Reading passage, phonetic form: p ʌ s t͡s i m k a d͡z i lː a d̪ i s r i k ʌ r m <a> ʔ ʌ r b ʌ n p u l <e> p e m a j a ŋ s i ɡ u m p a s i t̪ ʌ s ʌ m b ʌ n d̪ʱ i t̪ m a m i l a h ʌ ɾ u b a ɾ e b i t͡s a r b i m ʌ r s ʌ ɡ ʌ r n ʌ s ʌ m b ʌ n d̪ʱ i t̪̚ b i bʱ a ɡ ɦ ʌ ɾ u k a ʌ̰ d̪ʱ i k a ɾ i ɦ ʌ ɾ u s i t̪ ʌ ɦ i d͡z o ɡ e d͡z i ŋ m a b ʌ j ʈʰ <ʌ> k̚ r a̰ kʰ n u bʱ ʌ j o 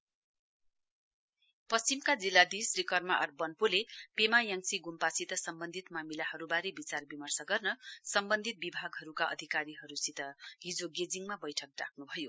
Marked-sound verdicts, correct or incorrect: correct, correct, correct

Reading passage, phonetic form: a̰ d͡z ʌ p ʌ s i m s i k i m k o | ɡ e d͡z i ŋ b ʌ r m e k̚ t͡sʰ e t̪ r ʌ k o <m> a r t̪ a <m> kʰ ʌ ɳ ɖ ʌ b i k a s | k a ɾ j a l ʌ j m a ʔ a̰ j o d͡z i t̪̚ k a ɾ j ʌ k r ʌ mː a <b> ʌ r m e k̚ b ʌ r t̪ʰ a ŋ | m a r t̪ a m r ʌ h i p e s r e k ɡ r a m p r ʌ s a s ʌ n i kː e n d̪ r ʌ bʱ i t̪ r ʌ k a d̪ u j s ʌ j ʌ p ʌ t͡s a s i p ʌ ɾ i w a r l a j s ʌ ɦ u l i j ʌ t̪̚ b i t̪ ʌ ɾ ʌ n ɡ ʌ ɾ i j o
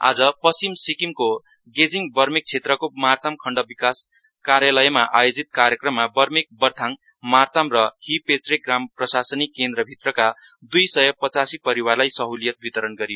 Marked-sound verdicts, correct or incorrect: correct, correct, correct

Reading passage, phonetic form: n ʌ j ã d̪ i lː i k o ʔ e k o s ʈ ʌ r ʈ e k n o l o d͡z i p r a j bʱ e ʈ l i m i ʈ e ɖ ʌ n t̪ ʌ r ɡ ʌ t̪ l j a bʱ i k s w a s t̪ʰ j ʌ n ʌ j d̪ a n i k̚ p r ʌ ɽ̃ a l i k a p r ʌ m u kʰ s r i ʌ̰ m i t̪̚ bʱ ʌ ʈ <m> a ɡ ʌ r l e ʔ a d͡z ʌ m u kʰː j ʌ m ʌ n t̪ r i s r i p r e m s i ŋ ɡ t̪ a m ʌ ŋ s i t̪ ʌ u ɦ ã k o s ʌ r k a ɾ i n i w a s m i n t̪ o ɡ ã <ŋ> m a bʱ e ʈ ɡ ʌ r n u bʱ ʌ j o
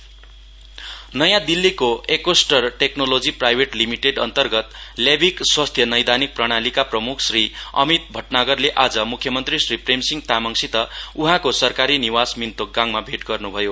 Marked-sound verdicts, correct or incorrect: incorrect: n, correct

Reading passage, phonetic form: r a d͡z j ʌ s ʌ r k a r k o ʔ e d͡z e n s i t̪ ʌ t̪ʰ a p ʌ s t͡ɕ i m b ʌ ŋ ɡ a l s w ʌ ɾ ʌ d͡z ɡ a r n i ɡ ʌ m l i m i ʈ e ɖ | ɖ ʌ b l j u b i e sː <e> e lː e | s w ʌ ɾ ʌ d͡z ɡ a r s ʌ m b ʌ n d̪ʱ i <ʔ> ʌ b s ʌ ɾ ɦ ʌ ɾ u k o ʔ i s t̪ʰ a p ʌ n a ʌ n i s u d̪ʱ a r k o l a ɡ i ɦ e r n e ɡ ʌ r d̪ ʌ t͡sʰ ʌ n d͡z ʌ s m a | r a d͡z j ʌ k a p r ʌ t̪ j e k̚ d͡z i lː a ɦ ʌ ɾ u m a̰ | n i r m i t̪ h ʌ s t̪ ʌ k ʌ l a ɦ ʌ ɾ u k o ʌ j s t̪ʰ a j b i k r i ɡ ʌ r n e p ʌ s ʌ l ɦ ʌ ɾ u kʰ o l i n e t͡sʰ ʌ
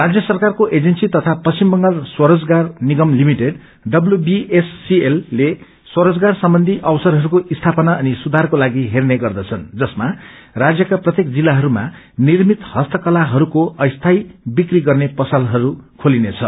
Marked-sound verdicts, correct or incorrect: incorrect: i, correct

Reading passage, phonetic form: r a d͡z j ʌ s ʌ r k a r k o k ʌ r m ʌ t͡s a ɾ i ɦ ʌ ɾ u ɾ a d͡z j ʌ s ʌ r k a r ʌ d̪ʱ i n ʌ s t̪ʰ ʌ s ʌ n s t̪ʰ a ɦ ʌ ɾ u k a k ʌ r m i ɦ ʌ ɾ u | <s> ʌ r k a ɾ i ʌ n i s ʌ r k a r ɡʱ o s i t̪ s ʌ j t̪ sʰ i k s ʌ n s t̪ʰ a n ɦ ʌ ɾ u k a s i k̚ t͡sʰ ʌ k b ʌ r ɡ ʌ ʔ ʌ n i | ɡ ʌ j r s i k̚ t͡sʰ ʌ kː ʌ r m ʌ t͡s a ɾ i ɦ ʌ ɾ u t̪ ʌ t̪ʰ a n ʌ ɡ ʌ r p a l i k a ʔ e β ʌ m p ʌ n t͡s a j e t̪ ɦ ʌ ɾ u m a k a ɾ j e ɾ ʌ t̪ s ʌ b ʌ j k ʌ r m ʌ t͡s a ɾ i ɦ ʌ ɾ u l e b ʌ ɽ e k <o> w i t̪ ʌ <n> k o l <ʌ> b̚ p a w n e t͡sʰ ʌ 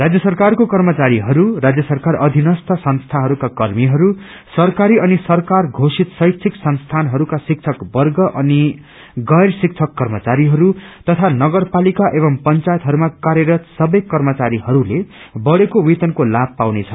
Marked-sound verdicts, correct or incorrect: correct, correct, correct, incorrect: a

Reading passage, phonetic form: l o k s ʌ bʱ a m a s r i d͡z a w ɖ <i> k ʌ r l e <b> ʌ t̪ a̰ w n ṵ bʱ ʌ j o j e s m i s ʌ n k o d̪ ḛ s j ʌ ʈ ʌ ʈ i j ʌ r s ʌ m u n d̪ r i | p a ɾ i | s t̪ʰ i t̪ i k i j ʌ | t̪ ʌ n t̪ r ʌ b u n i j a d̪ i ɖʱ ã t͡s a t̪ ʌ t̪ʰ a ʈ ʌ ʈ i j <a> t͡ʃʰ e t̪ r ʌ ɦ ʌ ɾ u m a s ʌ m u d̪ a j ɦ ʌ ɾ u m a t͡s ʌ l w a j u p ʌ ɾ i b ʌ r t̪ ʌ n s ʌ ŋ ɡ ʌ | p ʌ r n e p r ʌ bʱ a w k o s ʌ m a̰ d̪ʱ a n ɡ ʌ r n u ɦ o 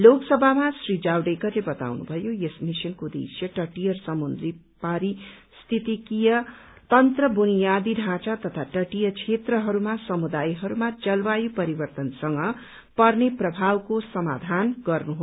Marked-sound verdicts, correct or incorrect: incorrect: e, correct, incorrect: ʌ

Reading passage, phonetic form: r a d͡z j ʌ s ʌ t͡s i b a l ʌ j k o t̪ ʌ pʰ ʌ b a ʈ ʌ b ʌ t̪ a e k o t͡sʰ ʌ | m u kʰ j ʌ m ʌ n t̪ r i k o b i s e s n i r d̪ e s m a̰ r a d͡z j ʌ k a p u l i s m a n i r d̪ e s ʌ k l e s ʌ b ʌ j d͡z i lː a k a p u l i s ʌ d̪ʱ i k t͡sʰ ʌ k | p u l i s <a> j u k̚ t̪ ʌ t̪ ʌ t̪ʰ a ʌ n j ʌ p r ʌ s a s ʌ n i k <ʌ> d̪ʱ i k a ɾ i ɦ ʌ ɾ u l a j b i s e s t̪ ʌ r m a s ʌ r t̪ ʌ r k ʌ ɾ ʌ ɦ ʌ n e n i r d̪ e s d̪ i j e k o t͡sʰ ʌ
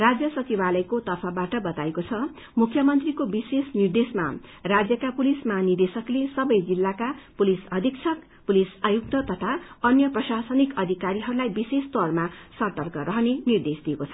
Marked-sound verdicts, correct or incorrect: correct, correct

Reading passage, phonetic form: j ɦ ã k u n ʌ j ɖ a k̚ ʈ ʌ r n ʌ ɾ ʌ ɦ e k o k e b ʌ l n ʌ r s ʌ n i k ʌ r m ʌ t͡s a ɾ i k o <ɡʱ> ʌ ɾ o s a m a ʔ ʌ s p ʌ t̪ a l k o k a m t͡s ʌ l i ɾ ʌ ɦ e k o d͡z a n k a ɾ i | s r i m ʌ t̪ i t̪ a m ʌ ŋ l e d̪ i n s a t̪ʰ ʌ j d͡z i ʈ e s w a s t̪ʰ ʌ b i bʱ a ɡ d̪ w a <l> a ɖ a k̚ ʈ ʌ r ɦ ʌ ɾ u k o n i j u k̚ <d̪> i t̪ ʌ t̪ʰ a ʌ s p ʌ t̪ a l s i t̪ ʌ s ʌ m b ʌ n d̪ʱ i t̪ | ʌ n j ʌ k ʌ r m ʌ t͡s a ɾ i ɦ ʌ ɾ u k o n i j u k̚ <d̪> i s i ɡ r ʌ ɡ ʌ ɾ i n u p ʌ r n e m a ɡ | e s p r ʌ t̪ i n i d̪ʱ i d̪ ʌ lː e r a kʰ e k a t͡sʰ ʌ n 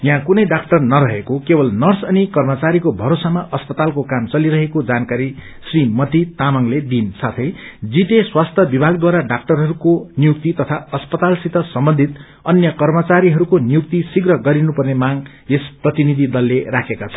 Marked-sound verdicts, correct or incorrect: incorrect: bʱ, incorrect: ɾ, incorrect: t̪, incorrect: t̪

